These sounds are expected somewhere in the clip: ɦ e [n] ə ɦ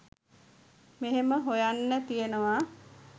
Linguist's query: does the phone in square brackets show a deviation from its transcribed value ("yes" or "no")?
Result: yes